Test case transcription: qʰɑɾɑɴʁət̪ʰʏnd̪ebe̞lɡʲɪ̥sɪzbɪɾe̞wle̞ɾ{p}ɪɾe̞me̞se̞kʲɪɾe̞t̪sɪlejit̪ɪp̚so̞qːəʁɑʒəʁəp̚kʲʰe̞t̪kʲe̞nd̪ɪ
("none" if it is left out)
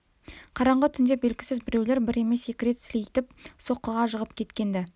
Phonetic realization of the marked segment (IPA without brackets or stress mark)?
b